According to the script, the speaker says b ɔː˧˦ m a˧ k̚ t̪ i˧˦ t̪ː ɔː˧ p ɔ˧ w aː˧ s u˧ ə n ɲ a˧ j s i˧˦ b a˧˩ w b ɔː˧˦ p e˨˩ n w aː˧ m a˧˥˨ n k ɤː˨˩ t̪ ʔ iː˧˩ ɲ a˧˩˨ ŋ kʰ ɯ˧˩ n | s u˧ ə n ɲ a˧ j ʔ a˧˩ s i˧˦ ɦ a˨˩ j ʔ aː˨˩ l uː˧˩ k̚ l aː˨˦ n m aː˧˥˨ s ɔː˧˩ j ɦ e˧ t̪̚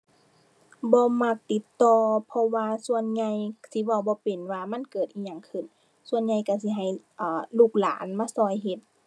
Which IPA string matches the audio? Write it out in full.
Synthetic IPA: b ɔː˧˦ m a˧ k̚ t̪ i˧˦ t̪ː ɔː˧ pʰ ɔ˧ w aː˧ s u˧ ə n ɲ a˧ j s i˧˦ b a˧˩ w b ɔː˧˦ p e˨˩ n w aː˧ m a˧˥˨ n k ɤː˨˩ t̪ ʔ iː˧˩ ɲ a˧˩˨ ŋ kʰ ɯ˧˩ n | s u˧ ə n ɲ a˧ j k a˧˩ s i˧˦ ɦ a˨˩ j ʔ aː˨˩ l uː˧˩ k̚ l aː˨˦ n m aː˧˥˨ s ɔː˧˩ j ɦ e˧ t̪̚

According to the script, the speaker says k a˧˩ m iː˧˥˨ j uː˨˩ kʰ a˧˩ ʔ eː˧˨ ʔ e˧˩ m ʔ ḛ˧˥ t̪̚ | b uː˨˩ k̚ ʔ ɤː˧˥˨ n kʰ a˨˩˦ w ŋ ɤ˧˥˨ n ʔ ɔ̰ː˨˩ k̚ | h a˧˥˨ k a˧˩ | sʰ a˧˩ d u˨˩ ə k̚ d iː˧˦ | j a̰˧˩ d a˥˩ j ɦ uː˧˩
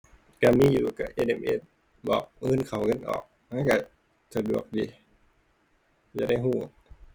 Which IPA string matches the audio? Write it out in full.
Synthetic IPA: k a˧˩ m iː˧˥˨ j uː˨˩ k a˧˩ ʔ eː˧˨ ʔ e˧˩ m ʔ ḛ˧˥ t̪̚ | b ɔː˨˩ k̚ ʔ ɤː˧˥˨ n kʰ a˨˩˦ w ŋ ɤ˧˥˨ n ʔ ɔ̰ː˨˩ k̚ | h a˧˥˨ k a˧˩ | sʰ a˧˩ d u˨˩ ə k̚ d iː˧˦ | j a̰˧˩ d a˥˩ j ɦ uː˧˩

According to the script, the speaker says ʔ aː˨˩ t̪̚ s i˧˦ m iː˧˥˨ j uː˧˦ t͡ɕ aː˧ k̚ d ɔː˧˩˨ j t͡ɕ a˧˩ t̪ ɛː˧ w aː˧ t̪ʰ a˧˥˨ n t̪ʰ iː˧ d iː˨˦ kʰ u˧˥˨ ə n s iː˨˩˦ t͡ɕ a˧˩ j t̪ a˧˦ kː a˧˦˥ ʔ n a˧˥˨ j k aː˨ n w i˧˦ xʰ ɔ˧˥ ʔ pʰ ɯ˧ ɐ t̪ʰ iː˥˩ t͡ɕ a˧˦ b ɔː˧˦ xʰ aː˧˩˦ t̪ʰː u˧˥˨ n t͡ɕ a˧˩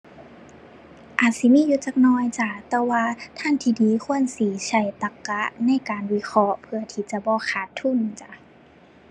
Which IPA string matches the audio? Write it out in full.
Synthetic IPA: ʔ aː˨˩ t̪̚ s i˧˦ m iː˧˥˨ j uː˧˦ t͡ɕ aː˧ k̚ n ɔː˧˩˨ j t͡ɕ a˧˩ t̪ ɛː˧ w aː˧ t̪ʰ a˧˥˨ n t̪ʰ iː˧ d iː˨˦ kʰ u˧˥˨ ə n s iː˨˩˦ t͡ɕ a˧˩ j t̪ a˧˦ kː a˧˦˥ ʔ n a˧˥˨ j k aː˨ n w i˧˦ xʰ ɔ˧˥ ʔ pʰ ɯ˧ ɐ t̪ʰ iː˧˩ t͡ɕ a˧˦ b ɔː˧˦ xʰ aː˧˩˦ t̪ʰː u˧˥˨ n t͡ɕ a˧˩

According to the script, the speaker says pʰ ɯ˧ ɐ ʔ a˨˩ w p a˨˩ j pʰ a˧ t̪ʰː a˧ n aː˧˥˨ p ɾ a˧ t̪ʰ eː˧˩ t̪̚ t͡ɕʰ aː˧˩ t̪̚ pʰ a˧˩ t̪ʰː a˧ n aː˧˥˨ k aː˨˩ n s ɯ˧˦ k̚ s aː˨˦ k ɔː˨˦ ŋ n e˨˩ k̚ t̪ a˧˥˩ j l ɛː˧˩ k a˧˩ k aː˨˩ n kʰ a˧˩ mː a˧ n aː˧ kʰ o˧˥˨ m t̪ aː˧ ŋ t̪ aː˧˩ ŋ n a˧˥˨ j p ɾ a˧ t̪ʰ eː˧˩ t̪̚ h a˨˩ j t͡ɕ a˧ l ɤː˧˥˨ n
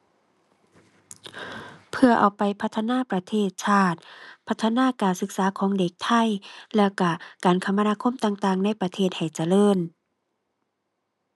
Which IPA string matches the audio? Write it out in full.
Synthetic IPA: pʰ ɯ˧ ɐ ʔ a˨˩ w p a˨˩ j pʰ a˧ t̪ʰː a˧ n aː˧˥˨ p ɾ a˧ t̪ʰ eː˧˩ t̪̚ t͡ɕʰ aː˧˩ t̪̚ pʰ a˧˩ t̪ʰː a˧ n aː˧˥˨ k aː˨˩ n s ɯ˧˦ k̚ s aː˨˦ kʰ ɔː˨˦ ŋ d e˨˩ k̚ t̪ʰ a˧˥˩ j l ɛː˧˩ k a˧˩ k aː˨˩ n kʰ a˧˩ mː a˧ n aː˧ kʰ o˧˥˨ m t̪ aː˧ ŋ t̪ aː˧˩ ŋ n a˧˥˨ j p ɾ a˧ t̪ʰ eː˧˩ t̪̚ h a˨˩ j t͡ɕ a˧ l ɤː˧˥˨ n

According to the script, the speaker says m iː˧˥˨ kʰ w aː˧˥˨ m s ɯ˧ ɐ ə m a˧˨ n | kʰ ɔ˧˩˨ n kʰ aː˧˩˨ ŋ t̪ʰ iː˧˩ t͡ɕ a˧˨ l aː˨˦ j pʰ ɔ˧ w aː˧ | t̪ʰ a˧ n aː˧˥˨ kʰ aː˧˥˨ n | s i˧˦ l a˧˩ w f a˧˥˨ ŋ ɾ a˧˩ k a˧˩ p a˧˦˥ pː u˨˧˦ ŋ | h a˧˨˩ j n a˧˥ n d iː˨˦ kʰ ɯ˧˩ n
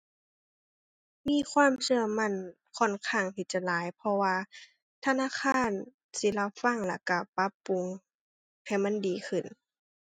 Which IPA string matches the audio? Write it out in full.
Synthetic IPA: m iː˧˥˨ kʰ w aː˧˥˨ m s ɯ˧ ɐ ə m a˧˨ n | kʰ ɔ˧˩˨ n kʰ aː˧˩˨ ŋ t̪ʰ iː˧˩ t͡ɕ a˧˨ l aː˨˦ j pʰ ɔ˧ w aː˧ | t̪ʰ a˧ n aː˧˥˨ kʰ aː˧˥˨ n | s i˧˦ l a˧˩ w f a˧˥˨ ŋ l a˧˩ k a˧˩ p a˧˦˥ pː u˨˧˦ ŋ | h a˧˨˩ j m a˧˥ n d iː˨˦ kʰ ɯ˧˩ n

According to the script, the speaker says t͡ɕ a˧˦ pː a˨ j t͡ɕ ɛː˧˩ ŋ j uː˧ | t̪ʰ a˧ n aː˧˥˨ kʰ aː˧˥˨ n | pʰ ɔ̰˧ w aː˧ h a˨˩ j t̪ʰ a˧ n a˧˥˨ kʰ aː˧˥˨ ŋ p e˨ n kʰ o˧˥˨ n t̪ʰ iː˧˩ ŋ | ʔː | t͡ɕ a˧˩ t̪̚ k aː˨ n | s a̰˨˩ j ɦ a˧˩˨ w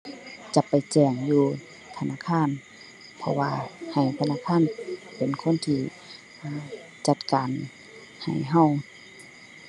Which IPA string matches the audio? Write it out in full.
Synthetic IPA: t͡ɕ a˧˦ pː a˨ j t͡ɕ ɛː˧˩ ŋ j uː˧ | t̪ʰ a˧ n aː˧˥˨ kʰ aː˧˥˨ n | pʰ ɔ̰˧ w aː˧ h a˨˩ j t̪ʰ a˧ n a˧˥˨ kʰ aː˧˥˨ n p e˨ n kʰ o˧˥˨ n t̪ʰ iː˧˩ | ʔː | t͡ɕ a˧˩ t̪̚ k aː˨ n | h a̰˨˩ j ɦ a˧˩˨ w

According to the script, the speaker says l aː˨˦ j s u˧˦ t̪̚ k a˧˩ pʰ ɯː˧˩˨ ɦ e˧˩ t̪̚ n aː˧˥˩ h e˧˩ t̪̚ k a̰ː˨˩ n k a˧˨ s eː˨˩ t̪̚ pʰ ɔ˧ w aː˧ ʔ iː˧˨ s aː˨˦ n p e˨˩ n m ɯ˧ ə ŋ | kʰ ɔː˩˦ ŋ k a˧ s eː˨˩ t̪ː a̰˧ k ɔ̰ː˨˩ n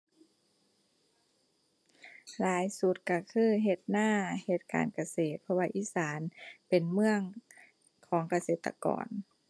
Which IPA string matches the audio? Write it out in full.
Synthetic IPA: l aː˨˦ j s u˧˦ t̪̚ k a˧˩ kʰ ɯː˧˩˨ ɦ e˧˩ t̪̚ n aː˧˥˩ h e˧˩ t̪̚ k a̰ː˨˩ n k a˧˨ s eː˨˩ t̪̚ pʰ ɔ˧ w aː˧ ʔ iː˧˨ s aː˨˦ n p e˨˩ n m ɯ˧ ə ŋ | kʰ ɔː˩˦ ŋ k a˧ s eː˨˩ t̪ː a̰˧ k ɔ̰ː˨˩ n

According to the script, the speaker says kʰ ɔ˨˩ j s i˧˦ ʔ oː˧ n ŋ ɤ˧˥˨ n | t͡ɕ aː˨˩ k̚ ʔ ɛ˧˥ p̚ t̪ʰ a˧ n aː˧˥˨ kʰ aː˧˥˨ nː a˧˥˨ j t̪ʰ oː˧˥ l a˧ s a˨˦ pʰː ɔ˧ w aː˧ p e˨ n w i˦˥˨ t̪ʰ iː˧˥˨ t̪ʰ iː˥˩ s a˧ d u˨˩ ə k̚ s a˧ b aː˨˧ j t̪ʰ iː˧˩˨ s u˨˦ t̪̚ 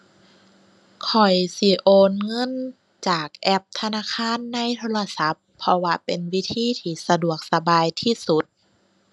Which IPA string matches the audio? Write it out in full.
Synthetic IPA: kʰ ɔ˨˩ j s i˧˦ ʔ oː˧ n ŋ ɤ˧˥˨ n | t͡ɕ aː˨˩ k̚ ʔ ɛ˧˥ p̚ t̪ʰ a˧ n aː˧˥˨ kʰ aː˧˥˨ nː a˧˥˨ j t̪ʰ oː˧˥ l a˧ s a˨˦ pʰː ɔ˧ w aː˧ p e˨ n w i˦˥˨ t̪ʰ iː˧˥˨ t̪ʰ iː˧˩ s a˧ d u˨˩ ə k̚ s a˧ b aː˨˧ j t̪ʰ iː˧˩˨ s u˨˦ t̪̚

